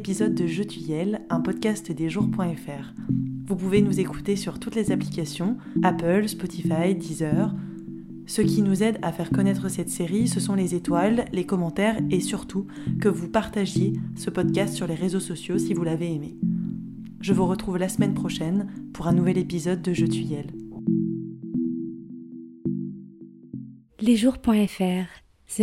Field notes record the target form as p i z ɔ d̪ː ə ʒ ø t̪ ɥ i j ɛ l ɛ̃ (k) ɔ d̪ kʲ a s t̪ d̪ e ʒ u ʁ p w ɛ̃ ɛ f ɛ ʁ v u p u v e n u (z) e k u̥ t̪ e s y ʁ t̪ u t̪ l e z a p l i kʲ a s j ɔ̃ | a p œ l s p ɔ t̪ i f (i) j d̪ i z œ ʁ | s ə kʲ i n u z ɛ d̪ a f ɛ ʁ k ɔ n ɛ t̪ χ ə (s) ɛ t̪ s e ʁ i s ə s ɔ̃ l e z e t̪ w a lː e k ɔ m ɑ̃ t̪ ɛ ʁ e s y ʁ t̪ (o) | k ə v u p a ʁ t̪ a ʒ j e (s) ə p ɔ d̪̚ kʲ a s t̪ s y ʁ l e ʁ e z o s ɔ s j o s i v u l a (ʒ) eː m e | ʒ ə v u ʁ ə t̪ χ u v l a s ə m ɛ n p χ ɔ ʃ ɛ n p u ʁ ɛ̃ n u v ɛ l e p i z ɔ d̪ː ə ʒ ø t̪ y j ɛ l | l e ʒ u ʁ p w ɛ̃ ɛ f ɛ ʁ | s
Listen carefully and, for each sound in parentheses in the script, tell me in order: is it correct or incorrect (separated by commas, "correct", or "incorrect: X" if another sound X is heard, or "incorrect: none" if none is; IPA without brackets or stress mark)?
incorrect: p, correct, incorrect: a, correct, incorrect: u, correct, incorrect: v